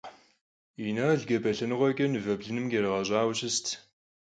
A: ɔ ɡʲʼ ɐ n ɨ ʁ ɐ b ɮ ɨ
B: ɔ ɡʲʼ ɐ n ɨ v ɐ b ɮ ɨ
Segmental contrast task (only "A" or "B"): B